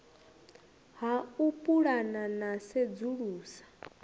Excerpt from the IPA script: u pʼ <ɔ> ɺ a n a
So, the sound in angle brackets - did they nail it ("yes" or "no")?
no